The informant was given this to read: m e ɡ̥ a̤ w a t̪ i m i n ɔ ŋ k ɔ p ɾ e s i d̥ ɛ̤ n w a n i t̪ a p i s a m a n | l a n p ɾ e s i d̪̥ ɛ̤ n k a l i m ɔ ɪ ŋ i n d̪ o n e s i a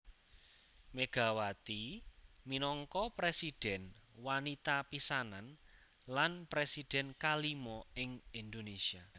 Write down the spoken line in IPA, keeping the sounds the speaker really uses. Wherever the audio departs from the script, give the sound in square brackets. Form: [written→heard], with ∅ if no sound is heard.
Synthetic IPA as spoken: m e ɡ̥ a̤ w a t̪ i m i n ɔ ŋ k ɔ p ɾ e s i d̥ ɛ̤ n w a n i t̪ a p i s a [m→n] a n | l a n p ɾ e s i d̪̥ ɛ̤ n k a l i m ɔ ɪ ŋ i n d̪ o n e s i a